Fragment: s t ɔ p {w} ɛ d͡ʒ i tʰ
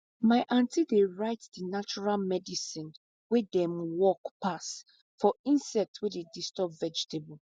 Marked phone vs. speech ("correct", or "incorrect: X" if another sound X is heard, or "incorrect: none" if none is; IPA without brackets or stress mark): incorrect: v